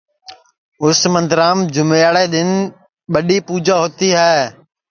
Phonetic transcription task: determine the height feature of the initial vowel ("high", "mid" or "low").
high